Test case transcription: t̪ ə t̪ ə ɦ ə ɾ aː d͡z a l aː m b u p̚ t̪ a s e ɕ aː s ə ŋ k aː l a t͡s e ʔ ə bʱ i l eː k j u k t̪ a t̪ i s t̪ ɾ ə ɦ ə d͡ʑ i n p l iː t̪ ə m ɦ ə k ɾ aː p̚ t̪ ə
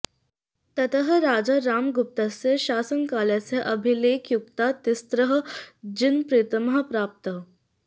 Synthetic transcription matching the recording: t̪ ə t̪ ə ɦ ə ɾ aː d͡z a ɾ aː m ɡ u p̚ t̪ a s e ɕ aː s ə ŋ k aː l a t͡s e ʔ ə bʱ i l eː k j u k t̪ a t̪ i s t̪ ɾ ə ɦ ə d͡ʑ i n p ɾ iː t̪ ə m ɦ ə p ɾ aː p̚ t̪ ə